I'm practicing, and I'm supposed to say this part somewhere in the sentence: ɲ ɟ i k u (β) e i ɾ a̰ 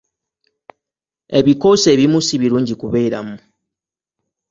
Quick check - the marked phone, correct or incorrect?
correct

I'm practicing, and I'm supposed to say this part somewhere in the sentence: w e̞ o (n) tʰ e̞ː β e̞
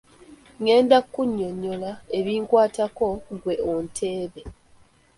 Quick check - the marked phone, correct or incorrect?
correct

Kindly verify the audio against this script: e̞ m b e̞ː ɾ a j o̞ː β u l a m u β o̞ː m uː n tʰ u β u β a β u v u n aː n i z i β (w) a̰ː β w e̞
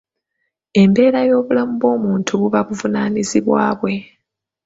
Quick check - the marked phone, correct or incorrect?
correct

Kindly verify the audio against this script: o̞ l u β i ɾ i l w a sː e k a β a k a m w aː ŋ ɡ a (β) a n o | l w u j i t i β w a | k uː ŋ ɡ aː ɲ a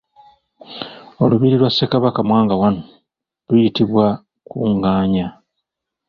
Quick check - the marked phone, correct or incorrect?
incorrect: w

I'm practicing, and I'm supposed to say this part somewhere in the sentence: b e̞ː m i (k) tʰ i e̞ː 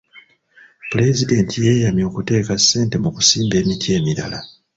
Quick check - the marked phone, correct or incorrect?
incorrect: none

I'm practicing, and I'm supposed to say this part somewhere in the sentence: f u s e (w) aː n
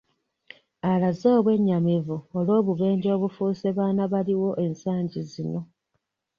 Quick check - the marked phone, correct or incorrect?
incorrect: β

